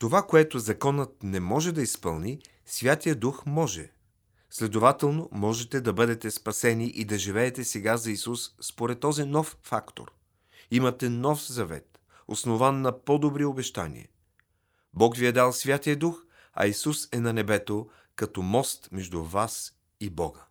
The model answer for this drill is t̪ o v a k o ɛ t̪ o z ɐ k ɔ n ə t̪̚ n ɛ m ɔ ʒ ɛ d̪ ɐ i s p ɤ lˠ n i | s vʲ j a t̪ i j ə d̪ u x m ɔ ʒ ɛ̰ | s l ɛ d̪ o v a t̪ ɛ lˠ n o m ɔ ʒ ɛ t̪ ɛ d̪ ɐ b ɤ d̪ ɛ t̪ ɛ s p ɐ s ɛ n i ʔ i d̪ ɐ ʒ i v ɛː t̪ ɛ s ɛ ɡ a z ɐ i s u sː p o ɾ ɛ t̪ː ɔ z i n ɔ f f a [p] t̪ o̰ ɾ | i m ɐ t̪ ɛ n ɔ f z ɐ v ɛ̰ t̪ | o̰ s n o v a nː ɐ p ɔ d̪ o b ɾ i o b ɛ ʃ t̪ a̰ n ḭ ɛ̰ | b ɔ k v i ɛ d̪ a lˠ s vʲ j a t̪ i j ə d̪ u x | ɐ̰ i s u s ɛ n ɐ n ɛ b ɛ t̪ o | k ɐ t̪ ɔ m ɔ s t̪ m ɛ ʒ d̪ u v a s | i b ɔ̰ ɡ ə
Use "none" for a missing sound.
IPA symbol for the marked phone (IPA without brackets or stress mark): k